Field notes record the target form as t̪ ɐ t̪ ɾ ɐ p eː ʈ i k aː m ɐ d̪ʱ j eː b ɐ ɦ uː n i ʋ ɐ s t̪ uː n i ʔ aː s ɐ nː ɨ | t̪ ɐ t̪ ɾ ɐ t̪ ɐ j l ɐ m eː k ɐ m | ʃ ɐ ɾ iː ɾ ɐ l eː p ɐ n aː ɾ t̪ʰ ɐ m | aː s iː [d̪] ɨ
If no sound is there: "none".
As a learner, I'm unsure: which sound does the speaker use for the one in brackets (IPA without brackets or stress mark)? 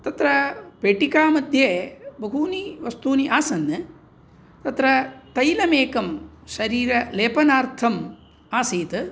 t̪